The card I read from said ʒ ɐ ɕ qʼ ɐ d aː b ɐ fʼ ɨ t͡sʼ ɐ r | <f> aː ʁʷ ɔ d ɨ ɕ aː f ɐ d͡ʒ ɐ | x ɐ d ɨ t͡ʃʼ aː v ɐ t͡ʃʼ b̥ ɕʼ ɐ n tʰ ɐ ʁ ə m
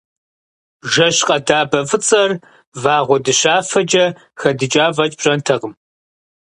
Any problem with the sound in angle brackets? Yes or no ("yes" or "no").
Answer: yes